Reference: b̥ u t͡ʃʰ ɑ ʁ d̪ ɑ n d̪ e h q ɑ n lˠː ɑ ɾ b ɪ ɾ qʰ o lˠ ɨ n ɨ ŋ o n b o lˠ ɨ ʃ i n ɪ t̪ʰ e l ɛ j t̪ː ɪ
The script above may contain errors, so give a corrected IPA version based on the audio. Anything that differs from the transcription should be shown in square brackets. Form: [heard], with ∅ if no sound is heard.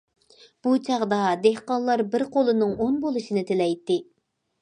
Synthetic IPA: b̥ u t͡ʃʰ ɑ ʁ d̪ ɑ [∅] d̪ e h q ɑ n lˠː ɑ ɾ b ɪ ɾ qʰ o lˠ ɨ n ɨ ŋ o n b o lˠ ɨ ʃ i n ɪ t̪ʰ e l ɛ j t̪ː ɪ